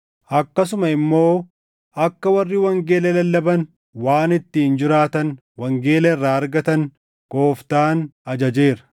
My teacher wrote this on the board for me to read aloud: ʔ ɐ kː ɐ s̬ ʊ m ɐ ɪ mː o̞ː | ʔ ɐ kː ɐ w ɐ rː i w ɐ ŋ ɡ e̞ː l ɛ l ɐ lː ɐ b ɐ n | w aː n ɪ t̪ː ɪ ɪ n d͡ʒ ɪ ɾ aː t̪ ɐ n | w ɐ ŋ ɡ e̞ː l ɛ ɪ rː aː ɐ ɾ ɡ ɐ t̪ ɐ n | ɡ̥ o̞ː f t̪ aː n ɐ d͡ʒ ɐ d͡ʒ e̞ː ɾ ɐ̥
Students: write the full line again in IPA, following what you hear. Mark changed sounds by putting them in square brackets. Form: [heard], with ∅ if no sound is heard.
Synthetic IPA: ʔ ɐ kː ɐ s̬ ʊ m ɐ ɪ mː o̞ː | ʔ ɐ kː ɐ w ɐ rː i w ɐ ŋ ɡ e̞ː l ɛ l ɐ lː ɐ b ɐ n | w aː n ɪ t̪ː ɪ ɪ n d͡ʒ ɪ ɾ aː t̪ ɐ n | w ɐ ŋ ɡ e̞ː l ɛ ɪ rː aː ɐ ɾ ɡ ɐ t̪ ɐ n | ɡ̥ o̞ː f t̪ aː n ɐ d͡ʒ ɐ d͡ʒ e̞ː ɾ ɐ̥